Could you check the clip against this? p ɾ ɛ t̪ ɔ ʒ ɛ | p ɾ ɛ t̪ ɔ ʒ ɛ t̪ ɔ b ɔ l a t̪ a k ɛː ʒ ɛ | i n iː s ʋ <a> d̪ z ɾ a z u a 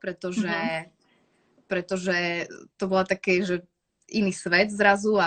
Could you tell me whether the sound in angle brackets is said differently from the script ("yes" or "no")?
yes